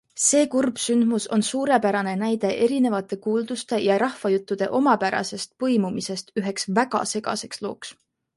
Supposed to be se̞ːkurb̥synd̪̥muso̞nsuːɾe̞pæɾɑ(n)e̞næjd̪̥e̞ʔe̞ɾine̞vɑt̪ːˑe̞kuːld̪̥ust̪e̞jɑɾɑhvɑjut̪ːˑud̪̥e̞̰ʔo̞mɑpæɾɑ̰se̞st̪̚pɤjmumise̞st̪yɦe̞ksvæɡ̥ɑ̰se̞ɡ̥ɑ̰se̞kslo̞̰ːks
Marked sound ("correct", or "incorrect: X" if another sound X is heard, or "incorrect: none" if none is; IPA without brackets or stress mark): correct